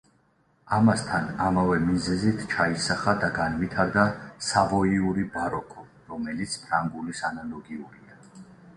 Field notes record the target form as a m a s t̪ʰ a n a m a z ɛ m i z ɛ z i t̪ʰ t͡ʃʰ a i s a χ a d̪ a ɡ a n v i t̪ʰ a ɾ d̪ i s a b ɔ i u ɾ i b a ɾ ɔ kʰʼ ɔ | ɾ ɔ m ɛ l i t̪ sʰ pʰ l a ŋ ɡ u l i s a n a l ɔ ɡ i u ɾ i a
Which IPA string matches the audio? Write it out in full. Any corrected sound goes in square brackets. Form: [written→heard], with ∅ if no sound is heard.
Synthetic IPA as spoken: a m a s t̪ʰ a n a m a [z→v] ɛ m i z ɛ z i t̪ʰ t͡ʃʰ a i s a χ a d̪ a ɡ a n v i t̪ʰ a ɾ d̪ [i→a] s a [b→v] ɔ i u ɾ i b a ɾ ɔ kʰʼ ɔ | ɾ ɔ m ɛ l i t̪ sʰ pʰ [l→ɾ] a ŋ ɡ u l i s a n a l ɔ ɡ i u ɾ i a